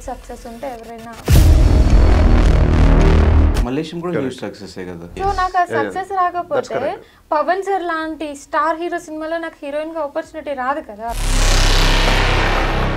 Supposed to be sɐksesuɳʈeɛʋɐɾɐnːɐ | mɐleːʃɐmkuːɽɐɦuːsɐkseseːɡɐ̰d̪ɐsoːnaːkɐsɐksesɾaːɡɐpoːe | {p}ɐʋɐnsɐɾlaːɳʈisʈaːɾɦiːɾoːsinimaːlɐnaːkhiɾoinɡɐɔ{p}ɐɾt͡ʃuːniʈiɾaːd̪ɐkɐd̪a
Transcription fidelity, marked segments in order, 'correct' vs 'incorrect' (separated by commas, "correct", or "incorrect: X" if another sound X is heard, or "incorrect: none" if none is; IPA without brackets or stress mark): correct, correct